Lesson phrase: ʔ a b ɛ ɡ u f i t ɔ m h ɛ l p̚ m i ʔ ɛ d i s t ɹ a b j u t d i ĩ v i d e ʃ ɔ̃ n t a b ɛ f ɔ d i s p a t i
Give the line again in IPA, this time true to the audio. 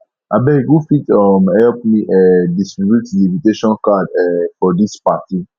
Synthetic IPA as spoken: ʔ a b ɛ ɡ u f i t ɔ m h ɛ l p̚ m i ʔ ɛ d i s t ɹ i b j u t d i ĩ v i t e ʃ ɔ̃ n k a d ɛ f ɔ d i s p a t i